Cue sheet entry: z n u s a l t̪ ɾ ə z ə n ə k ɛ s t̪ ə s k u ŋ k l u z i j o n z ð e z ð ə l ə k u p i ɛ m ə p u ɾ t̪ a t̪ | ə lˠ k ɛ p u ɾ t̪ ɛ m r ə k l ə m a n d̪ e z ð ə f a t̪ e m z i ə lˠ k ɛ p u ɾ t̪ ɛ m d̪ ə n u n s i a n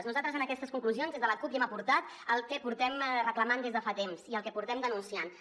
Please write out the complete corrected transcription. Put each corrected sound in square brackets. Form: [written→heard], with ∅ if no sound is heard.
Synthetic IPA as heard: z n u [s→z] a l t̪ ɾ ə z ə n ə k ɛ s t̪ ə s k u ŋ k l u z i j o n z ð e z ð ə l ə k u p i ɛ m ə p u ɾ t̪ a t̪ | ə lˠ k ɛ p u ɾ t̪ ɛ m r ə k l ə m a n d̪ e z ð ə f a t̪ e m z i ə lˠ k ɛ p u ɾ t̪ ɛ m d̪ ə n u n s i a n